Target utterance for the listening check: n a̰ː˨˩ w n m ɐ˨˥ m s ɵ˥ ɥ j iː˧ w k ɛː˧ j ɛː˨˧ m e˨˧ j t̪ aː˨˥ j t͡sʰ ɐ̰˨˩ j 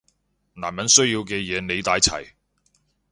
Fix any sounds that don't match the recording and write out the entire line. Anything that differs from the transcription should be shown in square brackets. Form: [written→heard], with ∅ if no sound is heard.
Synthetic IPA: n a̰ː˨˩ [w→∅] n m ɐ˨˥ [m→n] s ɵ˥ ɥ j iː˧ w k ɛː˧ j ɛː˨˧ [m→n] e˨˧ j t̪ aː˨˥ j t͡sʰ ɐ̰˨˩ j